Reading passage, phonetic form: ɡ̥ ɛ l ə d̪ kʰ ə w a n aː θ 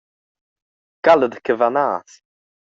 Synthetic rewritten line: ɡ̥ a l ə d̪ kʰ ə v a n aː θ

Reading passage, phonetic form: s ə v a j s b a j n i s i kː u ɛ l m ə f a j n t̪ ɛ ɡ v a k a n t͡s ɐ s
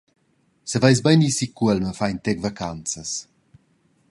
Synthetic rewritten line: s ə v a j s b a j n i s i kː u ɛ l m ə f a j n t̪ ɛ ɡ v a k a n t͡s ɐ s

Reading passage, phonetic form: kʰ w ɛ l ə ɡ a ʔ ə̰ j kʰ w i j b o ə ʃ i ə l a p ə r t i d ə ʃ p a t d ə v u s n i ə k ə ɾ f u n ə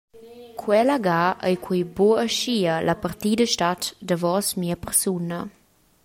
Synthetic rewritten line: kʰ w ɛ l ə ɡ a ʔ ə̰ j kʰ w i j b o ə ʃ i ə l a p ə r t i d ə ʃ t a t d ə v ɔ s m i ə p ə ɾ s u n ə

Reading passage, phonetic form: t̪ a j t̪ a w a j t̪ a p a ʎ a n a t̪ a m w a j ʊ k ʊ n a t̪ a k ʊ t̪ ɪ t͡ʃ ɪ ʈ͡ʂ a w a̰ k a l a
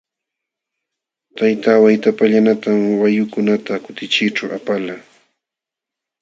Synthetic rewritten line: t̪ a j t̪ a w a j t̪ a p a ʎ a n a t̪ a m w a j ʊ k ʊ n a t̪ a k ʊ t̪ ɪ t͡ʃ ɪ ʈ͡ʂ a w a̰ p a l a

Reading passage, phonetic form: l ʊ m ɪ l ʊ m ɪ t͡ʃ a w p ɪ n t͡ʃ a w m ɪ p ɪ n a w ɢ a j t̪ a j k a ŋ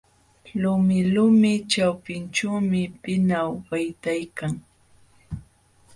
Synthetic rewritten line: l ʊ m ɪ l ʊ m ɪ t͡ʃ a w p ɪ n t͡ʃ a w m ɪ p ɪ n a w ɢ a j t̪ a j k a ŋ

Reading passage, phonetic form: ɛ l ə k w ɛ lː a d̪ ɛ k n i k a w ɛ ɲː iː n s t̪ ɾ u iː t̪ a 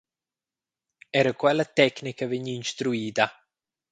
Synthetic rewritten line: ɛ ɾ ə k w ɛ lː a t̪ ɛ k n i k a v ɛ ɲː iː n s t̪ ɾ u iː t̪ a

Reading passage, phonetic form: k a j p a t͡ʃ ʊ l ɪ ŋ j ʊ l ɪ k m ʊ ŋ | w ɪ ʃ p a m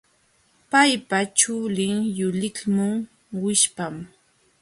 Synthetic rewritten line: p a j p a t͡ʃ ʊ l ɪ ŋ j ʊ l ɪ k m ʊ ŋ | w ɪ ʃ p a m

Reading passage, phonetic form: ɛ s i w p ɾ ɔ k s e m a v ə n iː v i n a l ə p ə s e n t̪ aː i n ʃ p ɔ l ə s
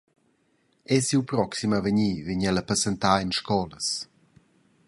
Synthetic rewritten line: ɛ s i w p ɾ ɔ k s i m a v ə ɲ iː v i ɲ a l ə p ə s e n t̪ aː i n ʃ k ɔ l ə s

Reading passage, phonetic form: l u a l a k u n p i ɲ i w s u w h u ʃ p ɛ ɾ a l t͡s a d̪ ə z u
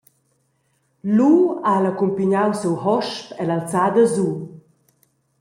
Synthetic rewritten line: l u a l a k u m p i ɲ a w s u w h ɔ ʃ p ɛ l a l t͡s a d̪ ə z u

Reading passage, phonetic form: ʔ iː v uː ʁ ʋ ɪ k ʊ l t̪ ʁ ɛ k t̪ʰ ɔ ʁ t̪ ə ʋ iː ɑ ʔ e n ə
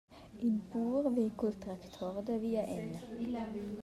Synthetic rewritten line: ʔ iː b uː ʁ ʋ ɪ k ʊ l t̪ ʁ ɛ k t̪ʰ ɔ ʁ d̪ ə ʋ iː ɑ ʔ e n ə

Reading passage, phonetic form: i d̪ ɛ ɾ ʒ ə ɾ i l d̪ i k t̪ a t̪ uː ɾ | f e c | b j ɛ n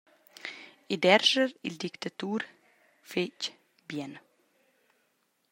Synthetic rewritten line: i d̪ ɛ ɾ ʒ ə ɾ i l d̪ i k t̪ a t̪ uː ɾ | f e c | b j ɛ n

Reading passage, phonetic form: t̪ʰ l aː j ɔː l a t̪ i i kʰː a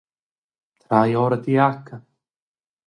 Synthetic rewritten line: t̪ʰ ɾ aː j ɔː ɾ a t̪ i a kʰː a

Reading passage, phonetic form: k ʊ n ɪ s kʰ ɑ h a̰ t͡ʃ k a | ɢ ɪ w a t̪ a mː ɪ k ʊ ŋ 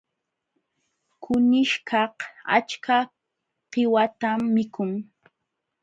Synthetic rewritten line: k ʊ n ɪ ʃ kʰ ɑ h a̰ t͡ʃ k a | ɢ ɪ w a t̪ a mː ɪ k ʊ ŋ

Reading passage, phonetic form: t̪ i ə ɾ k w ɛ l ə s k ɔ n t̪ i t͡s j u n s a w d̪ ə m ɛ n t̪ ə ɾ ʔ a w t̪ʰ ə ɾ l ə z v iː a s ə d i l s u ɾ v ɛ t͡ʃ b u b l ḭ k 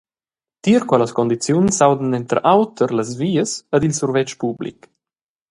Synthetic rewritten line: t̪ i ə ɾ k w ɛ l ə s k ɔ n d̪ i t͡s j u n s a w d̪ ə n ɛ n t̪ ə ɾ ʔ a w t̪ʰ ə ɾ l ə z v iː ə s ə d i l s u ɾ v ɛ t͡ʃ p u b l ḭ k

